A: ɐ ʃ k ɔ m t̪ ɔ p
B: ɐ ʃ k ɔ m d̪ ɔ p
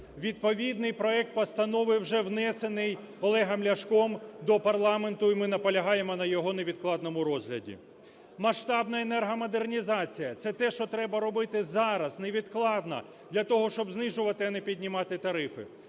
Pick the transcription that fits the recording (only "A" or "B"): B